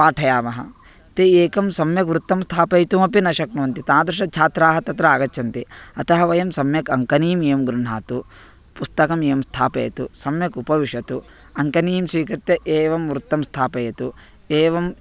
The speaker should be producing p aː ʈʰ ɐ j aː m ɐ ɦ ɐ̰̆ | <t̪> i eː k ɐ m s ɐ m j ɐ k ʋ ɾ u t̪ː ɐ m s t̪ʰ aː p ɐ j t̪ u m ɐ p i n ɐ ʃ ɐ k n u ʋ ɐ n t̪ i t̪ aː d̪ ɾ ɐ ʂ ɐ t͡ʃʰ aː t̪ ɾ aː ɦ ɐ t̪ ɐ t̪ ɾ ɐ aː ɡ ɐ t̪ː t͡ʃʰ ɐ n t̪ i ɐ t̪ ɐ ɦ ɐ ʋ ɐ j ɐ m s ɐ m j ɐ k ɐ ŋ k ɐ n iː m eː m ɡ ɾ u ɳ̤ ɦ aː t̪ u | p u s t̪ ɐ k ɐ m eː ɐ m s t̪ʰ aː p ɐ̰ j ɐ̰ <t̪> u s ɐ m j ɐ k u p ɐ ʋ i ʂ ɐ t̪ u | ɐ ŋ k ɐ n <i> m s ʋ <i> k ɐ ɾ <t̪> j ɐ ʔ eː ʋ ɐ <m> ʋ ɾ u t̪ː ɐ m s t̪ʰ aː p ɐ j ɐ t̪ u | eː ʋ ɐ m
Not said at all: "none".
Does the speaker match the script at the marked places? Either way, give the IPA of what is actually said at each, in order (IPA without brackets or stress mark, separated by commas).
t̪, t̪, iː, iː, t̪, m